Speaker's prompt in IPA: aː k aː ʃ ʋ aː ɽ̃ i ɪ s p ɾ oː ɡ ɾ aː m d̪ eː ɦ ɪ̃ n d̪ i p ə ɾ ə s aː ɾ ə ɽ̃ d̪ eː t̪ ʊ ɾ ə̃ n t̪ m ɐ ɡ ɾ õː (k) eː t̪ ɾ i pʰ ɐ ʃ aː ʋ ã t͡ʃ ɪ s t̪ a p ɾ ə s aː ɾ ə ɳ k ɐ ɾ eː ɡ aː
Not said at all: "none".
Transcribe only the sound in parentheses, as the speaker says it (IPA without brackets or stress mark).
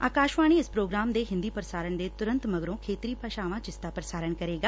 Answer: kʰ